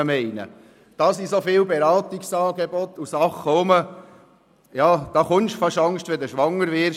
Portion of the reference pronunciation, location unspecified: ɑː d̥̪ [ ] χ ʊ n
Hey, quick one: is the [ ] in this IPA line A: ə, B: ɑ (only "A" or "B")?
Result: B